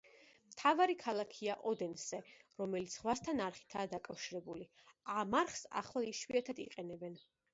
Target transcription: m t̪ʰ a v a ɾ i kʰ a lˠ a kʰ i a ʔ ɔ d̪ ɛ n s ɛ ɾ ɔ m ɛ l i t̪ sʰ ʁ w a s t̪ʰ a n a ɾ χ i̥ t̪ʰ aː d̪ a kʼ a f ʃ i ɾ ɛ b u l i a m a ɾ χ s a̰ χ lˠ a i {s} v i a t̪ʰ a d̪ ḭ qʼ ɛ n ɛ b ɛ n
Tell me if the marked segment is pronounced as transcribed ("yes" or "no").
no